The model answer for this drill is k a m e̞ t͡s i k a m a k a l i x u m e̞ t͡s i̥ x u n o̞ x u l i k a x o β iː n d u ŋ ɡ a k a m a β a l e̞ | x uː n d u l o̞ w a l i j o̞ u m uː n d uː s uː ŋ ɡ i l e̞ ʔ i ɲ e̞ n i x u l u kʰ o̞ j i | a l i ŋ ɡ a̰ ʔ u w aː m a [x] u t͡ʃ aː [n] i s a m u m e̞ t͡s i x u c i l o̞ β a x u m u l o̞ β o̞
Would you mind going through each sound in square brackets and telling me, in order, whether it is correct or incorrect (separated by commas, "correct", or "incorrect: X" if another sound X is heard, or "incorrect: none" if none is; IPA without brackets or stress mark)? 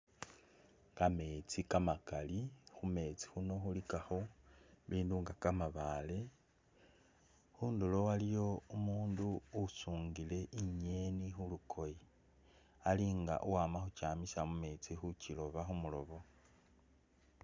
correct, incorrect: m